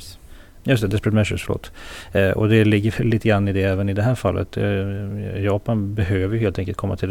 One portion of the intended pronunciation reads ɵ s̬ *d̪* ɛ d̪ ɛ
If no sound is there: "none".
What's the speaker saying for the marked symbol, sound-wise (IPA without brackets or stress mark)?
t̪